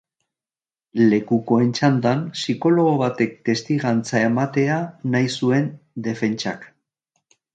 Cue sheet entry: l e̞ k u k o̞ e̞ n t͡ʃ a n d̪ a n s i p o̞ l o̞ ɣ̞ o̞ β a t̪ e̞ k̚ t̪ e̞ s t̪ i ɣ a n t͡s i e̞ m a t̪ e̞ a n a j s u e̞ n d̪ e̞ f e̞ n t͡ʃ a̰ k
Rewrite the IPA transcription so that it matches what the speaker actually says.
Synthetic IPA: l e̞ k u k o̞ e̞ n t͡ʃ a n d̪ a n s i k o̞ l o̞ ɣ̞ o̞ β a t̪ e̞ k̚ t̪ e̞ s t̪ i ɣ a n t͡s a e̞ m a t̪ e̞ a n a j s u e̞ n d̪ e̞ f e̞ n t͡ʃ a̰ k